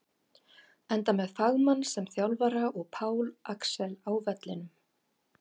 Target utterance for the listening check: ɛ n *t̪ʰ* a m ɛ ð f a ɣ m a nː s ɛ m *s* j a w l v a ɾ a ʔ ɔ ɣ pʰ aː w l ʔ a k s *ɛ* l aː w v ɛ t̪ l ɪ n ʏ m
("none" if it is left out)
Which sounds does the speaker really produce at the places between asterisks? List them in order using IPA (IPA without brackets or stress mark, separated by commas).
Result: t̪, θ, ɛ